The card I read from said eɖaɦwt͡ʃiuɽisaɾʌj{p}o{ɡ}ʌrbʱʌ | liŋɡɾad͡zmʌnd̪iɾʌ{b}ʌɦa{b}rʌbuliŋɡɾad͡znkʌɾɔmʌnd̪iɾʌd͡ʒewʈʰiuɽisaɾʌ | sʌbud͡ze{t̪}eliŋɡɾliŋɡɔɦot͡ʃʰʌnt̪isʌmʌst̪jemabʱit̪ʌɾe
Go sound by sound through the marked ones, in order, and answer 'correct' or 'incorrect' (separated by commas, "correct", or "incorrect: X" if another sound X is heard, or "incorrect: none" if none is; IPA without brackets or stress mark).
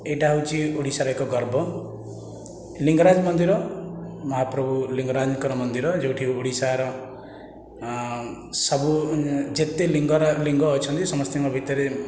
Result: incorrect: k, correct, incorrect: m, incorrect: p, correct